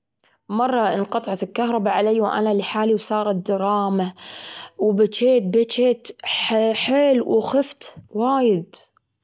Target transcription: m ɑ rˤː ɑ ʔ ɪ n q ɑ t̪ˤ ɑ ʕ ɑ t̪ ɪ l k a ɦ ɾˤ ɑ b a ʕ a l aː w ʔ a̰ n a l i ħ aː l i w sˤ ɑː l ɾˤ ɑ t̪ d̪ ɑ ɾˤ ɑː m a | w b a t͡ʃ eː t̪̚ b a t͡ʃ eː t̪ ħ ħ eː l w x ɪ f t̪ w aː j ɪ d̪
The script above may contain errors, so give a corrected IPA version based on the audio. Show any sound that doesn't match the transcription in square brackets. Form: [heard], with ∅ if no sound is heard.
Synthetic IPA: m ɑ rˤː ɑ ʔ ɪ n q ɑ t̪ˤ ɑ ʕ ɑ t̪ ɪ l k a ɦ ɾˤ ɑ b a ʕ a l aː w ʔ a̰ n a l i ħ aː l i w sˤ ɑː [∅] ɾˤ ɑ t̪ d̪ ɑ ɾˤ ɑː m a | w b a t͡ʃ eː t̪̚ b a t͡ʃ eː t̪ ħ ħ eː l w x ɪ f t̪ w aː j ɪ d̪

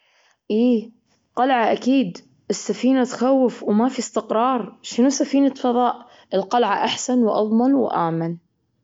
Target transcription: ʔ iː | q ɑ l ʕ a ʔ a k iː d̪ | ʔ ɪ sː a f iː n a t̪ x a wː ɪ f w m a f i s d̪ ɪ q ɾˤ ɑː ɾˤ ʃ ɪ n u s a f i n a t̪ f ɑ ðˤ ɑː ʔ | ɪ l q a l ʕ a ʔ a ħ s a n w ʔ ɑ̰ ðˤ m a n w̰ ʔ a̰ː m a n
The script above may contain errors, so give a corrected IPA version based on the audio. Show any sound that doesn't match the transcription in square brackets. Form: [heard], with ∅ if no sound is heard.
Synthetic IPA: ʔ iː | q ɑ l ʕ a ʔ a k iː d̪ | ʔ ɪ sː a f iː n a t̪ x a wː ɪ f w m a f i s [t̪] ɪ q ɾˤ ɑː ɾˤ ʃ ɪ n u s a f [iː] n a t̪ f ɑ ðˤ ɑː ʔ | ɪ l q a l ʕ a ʔ a ħ s a n w ʔ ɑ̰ ðˤ m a n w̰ ʔ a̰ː m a n

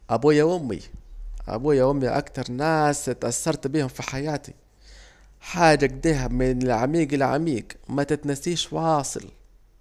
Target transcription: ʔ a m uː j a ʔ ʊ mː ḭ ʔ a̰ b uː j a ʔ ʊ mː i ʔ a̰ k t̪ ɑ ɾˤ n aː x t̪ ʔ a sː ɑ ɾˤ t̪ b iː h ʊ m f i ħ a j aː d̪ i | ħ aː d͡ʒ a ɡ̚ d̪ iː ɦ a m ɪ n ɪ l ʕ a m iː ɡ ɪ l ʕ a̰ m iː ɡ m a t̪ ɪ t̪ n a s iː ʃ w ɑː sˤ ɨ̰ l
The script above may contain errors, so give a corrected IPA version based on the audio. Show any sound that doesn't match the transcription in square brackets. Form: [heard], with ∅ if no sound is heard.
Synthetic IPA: ʔ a [b] uː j a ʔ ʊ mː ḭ ʔ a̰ b uː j a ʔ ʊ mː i ʔ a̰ k t̪ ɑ ɾˤ n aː [s] t̪ ʔ a sː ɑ ɾˤ t̪ b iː h ʊ m f i ħ a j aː [t̪] i | ħ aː d͡ʒ a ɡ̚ d̪ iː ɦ a m ɪ n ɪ l ʕ a m iː ɡ ɪ l ʕ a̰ m iː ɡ m a t̪ ɪ t̪ n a s iː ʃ w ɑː sˤ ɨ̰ l

